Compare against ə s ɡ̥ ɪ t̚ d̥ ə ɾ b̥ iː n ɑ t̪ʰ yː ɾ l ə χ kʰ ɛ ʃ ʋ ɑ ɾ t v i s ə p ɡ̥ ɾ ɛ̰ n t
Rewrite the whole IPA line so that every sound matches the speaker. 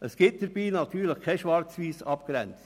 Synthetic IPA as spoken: ə s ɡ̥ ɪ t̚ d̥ ə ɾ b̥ iː n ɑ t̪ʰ yː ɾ l ə χ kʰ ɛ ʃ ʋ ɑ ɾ t͡s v iː s ɑ p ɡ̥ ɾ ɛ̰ n t͡s